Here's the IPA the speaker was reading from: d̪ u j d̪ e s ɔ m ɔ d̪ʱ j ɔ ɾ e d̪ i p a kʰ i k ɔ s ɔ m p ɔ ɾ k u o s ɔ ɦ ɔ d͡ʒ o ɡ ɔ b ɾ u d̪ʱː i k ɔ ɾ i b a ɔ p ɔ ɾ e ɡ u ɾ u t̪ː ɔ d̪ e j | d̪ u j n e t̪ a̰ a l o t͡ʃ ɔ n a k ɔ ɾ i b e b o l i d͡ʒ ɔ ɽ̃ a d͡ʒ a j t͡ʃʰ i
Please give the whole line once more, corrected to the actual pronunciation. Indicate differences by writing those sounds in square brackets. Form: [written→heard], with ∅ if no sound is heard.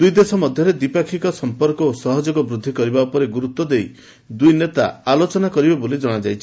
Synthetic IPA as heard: d̪ u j d̪ e s ɔ m ɔ d̪ʱ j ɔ ɾ e d̪ i p a kʰ i k ɔ s ɔ m p ɔ ɾ k [u→ɔ] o s ɔ ɦ ɔ d͡ʒ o ɡ ɔ b ɾ u d̪ʱː i k ɔ ɾ i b a [ɔ→u] p ɔ ɾ e ɡ u ɾ u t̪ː ɔ d̪ e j | d̪ u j n e t̪ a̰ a l o t͡ʃ ɔ n a k ɔ ɾ i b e b o l i d͡ʒ ɔ ɽ̃ a d͡ʒ a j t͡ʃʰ i